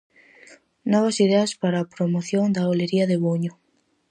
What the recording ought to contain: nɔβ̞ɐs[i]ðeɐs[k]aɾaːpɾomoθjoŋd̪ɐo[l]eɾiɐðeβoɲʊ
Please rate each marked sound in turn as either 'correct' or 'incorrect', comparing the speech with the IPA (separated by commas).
correct, incorrect, correct